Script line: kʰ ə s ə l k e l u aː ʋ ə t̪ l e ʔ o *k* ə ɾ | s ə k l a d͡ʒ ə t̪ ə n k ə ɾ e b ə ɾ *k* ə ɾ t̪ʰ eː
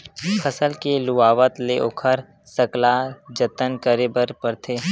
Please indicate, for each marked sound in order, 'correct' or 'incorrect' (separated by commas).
incorrect, incorrect